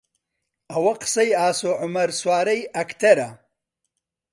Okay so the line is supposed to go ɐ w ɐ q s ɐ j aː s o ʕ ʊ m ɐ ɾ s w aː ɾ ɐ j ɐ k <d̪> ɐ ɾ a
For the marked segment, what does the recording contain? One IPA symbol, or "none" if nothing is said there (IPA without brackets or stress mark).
t̪